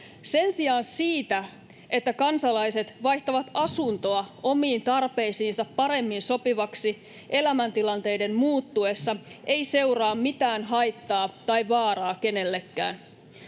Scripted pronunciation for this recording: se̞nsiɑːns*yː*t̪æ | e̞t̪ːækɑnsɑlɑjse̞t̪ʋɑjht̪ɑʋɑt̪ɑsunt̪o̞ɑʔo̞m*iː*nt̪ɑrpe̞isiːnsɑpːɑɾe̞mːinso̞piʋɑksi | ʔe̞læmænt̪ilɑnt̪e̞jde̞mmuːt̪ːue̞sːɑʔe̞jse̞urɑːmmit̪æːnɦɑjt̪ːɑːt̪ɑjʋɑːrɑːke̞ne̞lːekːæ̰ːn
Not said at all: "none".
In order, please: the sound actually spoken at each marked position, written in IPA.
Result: iː, iː

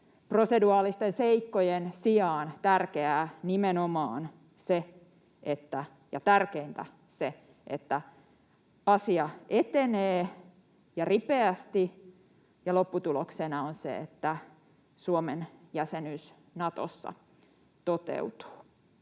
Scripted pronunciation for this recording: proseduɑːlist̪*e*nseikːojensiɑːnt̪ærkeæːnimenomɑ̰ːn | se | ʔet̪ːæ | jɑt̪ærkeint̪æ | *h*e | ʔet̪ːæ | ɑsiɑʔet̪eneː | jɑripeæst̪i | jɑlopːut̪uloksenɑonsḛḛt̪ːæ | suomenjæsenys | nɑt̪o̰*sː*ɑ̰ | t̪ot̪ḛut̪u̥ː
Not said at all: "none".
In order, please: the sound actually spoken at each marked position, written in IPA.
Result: e, s, sː

